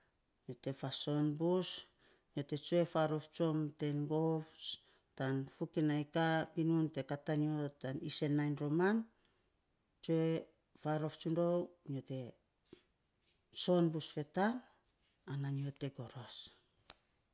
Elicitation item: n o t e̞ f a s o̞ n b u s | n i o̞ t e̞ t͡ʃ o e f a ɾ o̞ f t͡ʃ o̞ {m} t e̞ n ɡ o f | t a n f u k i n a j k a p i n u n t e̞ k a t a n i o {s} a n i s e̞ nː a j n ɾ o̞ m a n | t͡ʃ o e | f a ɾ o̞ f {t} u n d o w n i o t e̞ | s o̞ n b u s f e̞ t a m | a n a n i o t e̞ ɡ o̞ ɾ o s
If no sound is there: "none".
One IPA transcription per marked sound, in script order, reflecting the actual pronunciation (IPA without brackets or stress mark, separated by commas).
m, t, t͡ʃ